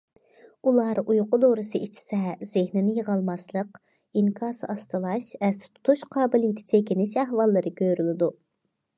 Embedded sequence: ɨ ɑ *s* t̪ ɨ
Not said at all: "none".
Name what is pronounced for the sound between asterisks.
s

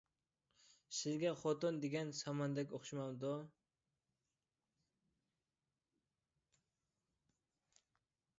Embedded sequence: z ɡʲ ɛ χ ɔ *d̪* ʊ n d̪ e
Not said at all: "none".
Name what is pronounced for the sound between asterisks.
t̪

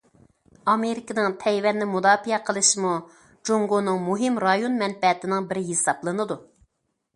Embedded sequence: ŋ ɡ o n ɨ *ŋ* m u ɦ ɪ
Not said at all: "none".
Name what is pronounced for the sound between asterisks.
ŋ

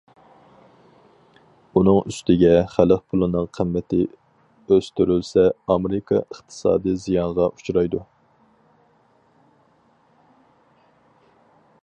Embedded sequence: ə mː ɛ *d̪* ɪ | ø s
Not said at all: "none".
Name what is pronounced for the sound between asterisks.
t̪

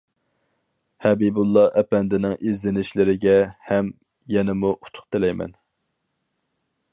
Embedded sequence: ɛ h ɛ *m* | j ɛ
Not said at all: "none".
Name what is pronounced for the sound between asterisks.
m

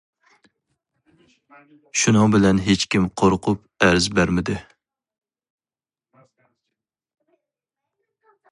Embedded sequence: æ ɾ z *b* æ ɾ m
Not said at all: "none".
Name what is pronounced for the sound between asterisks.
b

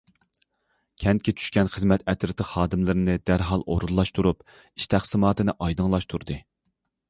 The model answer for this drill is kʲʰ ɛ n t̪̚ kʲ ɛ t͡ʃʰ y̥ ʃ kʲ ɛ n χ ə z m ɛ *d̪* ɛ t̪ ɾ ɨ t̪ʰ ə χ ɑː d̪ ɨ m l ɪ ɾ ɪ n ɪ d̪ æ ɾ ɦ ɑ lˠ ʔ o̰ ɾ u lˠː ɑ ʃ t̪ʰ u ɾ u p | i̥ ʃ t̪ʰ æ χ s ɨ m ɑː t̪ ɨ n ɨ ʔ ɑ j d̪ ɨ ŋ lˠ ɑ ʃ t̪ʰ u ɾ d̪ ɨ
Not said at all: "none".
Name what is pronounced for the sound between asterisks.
t̪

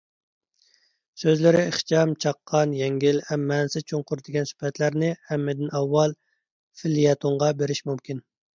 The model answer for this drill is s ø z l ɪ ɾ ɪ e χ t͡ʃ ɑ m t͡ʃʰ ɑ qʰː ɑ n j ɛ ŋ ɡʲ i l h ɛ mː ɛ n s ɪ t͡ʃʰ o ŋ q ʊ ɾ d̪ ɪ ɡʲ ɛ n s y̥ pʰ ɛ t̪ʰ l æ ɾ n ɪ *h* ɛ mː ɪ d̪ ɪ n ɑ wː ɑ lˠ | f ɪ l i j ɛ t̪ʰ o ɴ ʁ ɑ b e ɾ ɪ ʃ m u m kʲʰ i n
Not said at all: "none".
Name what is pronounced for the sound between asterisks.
h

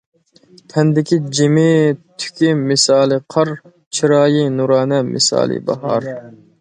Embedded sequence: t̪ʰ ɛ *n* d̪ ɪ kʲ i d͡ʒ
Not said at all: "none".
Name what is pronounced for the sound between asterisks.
n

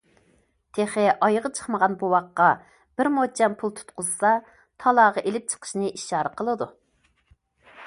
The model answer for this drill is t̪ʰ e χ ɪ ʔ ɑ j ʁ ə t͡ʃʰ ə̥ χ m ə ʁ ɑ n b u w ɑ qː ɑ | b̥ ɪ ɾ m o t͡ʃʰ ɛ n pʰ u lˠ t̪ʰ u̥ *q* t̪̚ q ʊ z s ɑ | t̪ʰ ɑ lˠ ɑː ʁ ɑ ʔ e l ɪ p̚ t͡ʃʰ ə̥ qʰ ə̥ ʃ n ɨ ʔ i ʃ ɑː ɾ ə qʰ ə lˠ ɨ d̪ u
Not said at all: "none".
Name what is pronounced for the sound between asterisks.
none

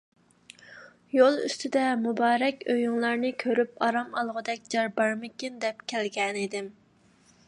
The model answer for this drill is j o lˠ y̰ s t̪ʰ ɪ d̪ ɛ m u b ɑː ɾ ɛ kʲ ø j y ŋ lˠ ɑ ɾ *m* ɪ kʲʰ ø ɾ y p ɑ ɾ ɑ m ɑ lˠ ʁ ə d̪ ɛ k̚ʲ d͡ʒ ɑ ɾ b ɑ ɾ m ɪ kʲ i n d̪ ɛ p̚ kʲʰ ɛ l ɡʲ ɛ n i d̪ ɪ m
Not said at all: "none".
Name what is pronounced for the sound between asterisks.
n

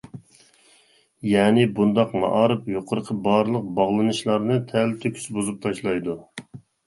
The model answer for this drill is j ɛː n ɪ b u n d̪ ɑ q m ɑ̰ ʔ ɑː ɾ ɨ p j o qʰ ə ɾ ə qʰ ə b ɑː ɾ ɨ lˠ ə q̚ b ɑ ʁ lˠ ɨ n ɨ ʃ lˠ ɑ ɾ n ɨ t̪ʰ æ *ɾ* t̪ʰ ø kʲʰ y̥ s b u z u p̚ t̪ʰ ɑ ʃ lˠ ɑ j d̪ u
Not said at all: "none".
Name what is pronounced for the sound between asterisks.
l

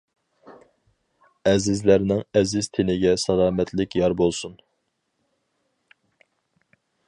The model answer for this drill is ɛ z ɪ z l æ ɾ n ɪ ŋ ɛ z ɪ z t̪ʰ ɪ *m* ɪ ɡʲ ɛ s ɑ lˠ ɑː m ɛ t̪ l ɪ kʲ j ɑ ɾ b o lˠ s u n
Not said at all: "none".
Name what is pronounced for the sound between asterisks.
n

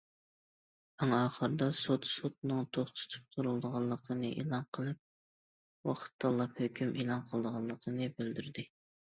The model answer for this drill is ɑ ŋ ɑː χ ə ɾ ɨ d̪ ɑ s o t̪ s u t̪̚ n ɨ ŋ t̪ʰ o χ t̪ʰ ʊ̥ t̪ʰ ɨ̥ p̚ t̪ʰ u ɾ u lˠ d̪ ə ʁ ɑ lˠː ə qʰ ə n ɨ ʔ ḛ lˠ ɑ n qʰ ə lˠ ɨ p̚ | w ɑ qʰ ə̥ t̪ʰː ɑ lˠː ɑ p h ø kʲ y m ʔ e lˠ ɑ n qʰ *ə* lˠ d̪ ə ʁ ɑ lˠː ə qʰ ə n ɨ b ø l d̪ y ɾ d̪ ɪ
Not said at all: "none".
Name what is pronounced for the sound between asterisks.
ə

